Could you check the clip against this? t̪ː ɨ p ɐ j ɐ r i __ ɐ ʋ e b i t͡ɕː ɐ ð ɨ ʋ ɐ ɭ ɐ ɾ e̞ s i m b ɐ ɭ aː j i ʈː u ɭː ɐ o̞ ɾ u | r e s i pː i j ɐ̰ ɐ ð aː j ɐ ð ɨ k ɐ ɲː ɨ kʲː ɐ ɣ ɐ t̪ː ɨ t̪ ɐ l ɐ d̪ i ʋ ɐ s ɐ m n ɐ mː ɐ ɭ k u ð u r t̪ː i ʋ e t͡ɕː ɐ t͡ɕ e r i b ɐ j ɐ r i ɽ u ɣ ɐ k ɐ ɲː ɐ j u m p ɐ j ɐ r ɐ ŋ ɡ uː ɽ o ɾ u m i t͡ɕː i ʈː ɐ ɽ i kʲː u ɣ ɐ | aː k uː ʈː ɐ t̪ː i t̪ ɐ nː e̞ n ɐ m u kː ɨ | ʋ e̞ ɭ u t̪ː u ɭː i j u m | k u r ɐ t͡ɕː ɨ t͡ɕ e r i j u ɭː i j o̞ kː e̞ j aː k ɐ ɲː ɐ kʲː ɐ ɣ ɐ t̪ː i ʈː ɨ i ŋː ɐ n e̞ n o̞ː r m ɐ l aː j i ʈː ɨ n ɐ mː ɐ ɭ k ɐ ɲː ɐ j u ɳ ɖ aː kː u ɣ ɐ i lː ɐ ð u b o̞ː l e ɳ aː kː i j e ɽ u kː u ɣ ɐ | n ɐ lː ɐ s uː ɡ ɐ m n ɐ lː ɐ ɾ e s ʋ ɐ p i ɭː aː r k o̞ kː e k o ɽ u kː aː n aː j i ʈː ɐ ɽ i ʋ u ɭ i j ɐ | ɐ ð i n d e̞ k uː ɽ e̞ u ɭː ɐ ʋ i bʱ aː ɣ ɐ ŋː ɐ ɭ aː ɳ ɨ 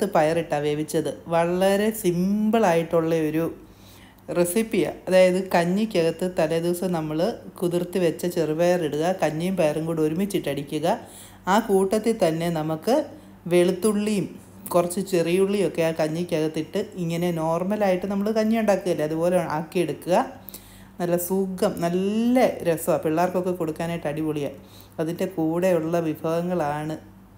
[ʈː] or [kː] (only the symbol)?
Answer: ʈː